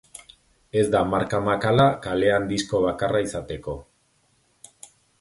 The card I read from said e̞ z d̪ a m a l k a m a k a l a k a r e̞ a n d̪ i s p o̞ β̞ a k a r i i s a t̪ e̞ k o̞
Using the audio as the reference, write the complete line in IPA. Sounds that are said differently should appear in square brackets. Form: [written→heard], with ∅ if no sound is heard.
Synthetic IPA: e̞ z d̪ a m a [l→ɾ] k a m a k a l a k a [r→l] e̞ a n d̪ i s [p→k] o̞ β̞ a k a r [i→a] i s a t̪ e̞ k o̞